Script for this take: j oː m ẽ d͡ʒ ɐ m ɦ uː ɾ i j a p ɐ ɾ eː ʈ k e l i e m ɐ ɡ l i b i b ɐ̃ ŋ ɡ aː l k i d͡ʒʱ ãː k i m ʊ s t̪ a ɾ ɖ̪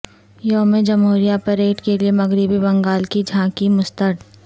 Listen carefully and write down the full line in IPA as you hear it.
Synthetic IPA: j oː m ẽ d͡ʒ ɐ m ɦ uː ɾ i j a p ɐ ɾ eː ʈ k e l i e m ɐ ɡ ɾ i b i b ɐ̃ ŋ ɡ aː l k i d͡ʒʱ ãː k i m ʊ s t̪ ə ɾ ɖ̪